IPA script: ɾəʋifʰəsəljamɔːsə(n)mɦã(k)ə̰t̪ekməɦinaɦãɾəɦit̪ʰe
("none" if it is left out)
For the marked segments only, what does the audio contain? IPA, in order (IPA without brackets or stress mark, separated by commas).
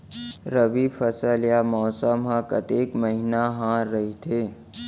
none, k